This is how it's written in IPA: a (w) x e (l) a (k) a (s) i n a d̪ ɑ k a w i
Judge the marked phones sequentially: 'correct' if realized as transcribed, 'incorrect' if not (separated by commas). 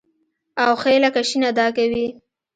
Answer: correct, correct, correct, incorrect